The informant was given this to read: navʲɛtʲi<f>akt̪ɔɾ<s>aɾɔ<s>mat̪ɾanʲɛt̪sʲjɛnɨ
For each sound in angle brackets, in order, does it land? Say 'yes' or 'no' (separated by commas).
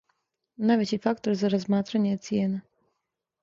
yes, no, no